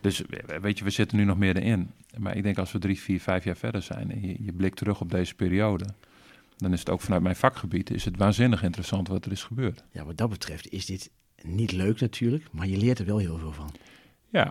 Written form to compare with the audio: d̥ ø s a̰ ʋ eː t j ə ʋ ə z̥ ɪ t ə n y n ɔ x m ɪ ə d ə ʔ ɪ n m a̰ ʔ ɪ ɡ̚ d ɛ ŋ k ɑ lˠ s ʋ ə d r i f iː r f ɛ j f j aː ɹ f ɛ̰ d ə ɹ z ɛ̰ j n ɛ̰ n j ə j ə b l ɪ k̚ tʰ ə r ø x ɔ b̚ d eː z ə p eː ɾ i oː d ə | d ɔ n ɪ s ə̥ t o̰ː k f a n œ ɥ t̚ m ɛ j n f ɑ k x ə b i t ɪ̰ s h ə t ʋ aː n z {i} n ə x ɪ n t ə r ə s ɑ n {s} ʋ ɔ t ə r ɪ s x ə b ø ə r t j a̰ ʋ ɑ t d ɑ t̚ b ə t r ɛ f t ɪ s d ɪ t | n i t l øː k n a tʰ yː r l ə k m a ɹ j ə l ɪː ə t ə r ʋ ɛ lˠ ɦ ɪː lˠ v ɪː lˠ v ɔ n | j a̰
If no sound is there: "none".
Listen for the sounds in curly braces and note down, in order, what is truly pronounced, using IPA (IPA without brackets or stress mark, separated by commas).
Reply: ɪ, t